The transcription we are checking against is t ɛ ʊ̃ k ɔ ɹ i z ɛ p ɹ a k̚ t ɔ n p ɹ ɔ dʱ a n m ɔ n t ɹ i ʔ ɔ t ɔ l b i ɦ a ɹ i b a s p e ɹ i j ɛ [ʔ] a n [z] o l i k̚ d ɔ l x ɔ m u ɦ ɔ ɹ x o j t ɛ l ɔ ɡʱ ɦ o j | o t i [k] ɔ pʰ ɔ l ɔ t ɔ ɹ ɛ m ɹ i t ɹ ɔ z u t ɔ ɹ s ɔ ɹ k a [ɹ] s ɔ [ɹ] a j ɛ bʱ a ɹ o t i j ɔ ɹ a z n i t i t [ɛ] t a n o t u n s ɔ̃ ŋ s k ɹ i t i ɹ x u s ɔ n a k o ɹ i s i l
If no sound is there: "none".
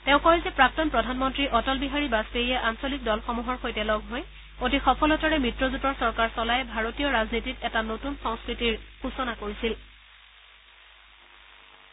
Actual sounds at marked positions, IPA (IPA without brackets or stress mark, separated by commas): ʔ, s, x, ɹ, l, ɛ